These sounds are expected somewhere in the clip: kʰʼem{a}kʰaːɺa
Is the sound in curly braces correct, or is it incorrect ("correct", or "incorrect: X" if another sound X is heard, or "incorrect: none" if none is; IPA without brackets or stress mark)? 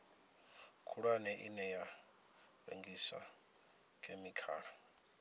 incorrect: i